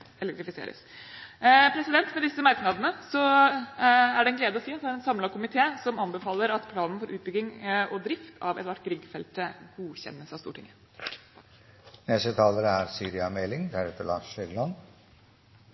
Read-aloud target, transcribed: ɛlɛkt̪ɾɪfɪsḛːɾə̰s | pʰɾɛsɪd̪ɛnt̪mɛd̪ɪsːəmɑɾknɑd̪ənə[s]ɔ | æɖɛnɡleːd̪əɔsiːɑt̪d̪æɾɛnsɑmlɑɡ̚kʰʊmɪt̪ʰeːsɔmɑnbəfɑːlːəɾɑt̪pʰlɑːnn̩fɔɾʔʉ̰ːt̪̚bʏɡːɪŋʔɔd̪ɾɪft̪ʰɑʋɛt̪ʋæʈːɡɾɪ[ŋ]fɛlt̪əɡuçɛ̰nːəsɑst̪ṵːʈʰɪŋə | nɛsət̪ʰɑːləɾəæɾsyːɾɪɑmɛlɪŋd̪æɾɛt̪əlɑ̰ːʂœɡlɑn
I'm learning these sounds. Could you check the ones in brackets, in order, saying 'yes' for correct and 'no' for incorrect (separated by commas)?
yes, no